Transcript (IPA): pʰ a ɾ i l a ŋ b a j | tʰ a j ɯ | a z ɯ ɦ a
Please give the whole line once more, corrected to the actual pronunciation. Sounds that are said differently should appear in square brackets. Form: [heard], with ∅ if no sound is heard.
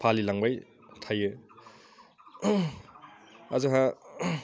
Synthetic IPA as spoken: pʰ a [l] i l a ŋ b a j | tʰ a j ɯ | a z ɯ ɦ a